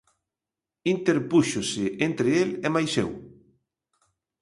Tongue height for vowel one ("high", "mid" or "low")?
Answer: high